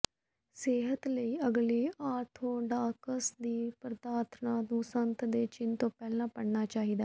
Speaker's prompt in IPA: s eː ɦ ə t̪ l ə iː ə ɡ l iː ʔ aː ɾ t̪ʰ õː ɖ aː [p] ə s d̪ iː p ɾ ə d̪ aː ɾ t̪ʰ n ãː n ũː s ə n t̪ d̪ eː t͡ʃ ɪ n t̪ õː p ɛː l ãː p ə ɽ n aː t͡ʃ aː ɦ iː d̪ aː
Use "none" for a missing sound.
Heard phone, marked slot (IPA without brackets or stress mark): k